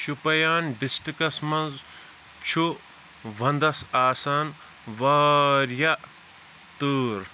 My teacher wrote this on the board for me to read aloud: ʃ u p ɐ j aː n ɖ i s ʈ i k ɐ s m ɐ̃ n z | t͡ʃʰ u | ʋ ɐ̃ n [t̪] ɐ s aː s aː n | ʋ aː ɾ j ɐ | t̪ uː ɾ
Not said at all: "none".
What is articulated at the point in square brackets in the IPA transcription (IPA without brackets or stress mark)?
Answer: d̪